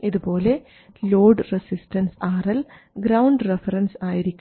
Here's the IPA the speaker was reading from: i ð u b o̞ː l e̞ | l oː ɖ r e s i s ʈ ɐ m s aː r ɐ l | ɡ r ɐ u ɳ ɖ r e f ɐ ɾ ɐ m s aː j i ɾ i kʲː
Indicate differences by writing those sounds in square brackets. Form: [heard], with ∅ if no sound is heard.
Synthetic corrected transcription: i ð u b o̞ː l e̞ | l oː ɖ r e s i s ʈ ɐ [n] s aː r ɐ l | ɡ [ɾ] ɐ [w] ɳ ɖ r e f ɐ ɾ ɐ [n] s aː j i ɾ i kʲː